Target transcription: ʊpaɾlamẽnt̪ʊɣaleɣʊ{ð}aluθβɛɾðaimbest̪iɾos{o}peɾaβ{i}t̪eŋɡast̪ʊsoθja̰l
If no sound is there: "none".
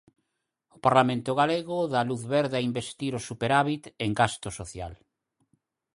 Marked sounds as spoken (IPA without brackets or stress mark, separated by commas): ð, u, i